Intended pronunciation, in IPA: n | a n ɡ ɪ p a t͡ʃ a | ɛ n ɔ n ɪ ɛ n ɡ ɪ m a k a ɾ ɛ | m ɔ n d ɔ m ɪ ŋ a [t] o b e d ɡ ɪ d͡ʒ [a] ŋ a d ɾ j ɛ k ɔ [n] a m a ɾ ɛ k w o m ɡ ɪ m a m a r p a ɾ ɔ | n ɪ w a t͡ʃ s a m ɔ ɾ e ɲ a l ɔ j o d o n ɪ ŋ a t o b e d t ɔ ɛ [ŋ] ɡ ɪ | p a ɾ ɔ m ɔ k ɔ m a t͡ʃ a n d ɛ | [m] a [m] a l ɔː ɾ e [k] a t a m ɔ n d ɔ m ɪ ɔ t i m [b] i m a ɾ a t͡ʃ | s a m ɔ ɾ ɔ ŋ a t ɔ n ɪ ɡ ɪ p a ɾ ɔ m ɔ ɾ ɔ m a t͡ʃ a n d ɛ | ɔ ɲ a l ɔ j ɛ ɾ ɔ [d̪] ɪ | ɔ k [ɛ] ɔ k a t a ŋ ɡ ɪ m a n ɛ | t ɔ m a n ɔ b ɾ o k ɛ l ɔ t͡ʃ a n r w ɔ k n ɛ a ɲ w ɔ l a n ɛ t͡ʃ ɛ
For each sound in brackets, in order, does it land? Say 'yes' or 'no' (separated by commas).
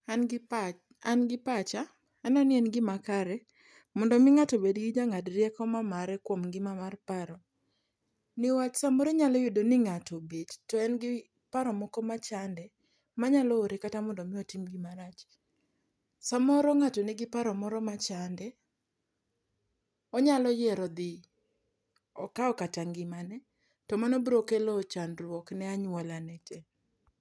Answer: yes, yes, no, no, yes, no, yes, no, yes, no